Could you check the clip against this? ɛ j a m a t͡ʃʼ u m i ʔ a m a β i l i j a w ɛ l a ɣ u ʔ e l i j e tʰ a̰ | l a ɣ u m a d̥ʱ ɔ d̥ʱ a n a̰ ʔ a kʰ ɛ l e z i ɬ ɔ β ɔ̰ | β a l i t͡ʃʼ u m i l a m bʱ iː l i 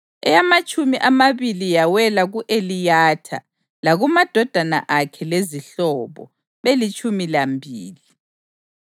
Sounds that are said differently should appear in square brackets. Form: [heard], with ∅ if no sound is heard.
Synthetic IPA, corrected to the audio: ɛ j a m a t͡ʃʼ u m i ʔ a m a β i l i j a w ɛ l a ɣ u ʔ e l i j [a] tʰ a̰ | l a ɣ u m a d̥ʱ ɔ d̥ʱ a n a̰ ʔ a kʰ ɛ l e z i ɬ ɔ β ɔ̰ | β [e] l i t͡ʃʼ u m i l a m bʱ iː l i